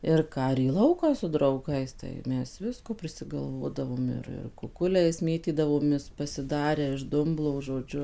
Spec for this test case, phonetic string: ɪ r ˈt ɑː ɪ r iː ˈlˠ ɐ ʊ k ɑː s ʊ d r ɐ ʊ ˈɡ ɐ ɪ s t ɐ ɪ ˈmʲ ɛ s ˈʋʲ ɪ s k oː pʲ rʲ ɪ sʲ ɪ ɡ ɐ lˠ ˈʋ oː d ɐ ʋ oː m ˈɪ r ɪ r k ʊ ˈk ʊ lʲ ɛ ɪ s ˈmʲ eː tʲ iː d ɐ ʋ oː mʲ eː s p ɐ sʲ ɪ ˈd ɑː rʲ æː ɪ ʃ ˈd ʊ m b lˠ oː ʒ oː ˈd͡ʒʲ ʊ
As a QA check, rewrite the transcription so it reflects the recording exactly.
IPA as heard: ɪ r ˈk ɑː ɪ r iː ˈlˠ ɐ ʊ k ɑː s ʊ d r ɐ ʊ ˈɡ ɐ ɪ s t ɐ ɪ ˈmʲ ɛ s ˈʋʲ ɪ s k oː pʲ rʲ ɪ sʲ ɪ ɡ ɐ lˠ ˈʋ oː d ɐ ʋ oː m ˈɪ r ɪ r k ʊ ˈk ʊ lʲ ɛ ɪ s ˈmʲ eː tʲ iː d ɐ ʋ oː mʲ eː s p ɐ sʲ ɪ ˈd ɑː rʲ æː ɪ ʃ ˈd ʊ m b lˠ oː ʒ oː ˈd͡ʒʲ ʊ